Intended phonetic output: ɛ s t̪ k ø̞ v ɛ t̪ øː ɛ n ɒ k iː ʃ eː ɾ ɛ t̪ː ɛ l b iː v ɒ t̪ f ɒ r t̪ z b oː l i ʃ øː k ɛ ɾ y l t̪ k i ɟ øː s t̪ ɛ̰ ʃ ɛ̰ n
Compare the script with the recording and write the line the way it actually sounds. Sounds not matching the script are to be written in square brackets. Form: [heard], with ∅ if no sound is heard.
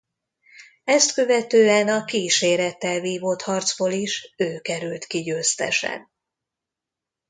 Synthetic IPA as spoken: ɛ s t̪ k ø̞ v ɛ t̪ øː ɛ n ɒ k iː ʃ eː ɾ ɛ t̪ː ɛ l [v] iː v [o] t̪ [h] ɒ r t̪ z b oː l i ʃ øː k ɛ ɾ y l t̪ k i ɟ øː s t̪ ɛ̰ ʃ ɛ̰ n